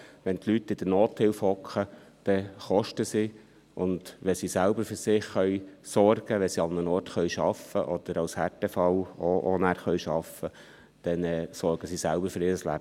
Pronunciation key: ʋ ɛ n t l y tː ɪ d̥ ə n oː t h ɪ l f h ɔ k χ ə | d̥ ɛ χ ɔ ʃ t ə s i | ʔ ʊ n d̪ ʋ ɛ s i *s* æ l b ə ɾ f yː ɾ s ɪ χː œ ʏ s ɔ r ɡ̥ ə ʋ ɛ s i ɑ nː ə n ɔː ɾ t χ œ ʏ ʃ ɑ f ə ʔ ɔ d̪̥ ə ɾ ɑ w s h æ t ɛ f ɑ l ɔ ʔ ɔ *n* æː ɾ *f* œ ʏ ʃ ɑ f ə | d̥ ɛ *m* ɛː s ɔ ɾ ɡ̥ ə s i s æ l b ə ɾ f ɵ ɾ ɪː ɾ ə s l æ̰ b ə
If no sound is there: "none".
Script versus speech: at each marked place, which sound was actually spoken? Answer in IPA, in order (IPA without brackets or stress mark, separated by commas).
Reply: s, n, χ, n